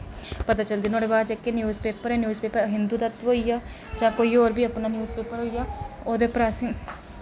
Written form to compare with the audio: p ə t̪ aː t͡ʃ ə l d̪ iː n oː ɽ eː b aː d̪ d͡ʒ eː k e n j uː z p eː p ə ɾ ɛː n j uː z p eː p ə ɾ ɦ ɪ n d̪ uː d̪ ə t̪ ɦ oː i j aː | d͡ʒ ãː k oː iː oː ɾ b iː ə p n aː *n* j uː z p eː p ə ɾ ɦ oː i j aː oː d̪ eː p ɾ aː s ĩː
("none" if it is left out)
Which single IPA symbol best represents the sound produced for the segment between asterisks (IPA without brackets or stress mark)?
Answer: n